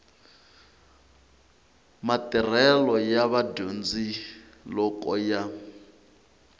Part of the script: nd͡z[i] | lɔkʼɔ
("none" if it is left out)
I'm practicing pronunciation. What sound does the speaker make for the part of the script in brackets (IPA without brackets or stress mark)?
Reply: i